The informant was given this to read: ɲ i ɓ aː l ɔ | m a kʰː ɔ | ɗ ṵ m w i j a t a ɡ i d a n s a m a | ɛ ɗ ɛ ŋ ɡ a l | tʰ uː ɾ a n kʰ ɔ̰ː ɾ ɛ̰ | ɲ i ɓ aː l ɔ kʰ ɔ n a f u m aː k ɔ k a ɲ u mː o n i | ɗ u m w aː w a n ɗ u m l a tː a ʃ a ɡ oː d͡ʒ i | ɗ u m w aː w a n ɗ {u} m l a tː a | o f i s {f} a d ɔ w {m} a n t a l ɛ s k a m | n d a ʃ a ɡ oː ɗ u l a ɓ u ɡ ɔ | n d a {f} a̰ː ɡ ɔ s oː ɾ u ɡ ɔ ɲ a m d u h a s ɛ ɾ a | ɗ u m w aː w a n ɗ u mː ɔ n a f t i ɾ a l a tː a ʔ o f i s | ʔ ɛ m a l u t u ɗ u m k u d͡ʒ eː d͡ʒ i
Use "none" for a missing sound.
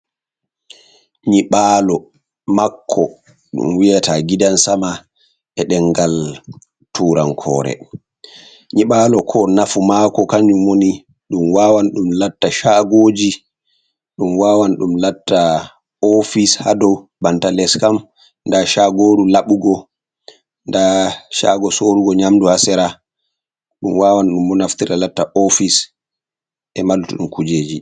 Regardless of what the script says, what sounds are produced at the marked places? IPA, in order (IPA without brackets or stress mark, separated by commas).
u, h, b, ʃ